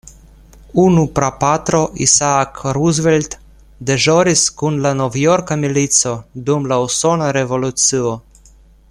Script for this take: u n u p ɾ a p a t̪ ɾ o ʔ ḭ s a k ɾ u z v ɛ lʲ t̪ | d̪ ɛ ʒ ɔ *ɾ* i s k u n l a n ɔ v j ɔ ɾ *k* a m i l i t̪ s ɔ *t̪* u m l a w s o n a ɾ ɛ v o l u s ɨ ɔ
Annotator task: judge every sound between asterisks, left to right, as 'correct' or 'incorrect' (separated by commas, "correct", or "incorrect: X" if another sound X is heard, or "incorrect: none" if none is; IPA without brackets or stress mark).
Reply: correct, correct, incorrect: d̪